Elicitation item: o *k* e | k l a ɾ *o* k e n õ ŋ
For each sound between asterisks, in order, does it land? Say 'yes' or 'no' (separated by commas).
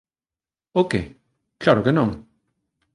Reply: yes, yes